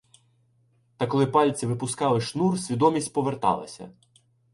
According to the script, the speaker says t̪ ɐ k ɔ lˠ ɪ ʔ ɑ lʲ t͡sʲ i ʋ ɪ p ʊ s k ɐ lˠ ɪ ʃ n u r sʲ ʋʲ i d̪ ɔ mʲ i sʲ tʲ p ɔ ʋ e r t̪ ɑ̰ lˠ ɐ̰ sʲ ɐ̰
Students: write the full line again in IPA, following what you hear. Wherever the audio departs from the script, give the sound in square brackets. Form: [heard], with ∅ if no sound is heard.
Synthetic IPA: t̪ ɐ k ɔ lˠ ɪ [p] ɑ lʲ t͡sʲ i ʋ ɪ p ʊ s k [ɑ] lˠ ɪ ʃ n u r sʲ ʋʲ i d̪ ɔ mʲ i sʲ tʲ p ɔ ʋ e r t̪ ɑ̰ lˠ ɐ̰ sʲ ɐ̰